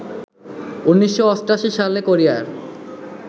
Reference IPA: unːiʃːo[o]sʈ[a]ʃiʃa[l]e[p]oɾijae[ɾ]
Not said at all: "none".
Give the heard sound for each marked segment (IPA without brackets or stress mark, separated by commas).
ɔ, a, l, k, ɾ